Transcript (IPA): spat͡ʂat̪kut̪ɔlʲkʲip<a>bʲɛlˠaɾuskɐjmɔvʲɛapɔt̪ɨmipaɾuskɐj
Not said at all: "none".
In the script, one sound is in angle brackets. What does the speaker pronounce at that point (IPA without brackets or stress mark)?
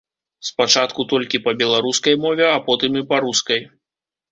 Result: ɐ